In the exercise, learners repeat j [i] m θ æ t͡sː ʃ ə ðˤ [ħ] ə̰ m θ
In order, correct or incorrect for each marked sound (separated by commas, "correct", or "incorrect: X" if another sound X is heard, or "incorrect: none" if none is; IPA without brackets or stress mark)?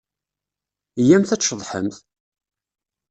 incorrect: æ, correct